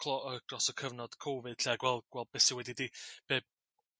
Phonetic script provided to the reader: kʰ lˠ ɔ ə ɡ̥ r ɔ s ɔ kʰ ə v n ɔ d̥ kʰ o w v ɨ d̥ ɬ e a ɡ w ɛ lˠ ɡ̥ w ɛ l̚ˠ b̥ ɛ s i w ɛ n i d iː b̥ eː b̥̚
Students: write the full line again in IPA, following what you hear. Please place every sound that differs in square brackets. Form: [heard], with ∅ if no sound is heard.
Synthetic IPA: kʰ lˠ ɔ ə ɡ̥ r ɔ s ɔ kʰ ə v n ɔ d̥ kʰ o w v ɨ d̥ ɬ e a ɡ w ɛ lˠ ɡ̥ w ɛ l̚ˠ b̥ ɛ s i w ɛ [d] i d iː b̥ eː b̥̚